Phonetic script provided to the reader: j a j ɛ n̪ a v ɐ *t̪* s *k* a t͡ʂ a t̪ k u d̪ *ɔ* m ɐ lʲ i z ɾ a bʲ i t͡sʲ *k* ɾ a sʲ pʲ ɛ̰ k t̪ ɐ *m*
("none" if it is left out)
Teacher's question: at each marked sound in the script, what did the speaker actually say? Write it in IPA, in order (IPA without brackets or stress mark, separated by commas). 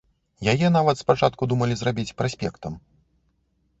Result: t̪, p, u, p, m